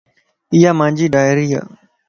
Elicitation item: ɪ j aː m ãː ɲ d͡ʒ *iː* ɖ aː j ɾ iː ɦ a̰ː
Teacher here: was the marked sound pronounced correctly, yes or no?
yes